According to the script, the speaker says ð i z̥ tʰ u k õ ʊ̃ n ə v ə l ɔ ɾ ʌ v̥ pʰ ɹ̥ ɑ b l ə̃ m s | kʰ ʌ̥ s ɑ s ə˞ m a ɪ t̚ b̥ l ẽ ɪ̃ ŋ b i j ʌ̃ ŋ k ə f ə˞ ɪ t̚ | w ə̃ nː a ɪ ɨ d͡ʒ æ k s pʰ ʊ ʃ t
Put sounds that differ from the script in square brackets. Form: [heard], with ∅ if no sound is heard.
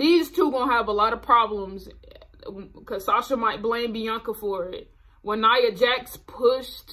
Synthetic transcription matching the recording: ð i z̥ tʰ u [ɡ] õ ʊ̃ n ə v ə l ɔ ɾ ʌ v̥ pʰ ɹ̥ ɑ b l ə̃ m [z] | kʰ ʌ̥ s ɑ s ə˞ m a ɪ t̚ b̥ l ẽ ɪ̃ [m] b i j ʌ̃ ŋ k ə f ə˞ ɪ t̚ | w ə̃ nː a ɪ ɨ d͡ʒ æ k s pʰ ʊ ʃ t